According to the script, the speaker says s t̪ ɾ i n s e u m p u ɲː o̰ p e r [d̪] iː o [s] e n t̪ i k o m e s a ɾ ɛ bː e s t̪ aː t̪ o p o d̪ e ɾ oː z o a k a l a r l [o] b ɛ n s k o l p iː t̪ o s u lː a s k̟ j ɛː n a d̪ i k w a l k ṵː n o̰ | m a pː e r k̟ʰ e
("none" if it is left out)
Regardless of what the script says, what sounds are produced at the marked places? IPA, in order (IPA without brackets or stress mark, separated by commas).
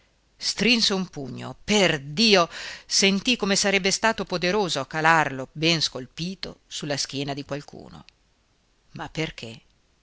d̪, s, o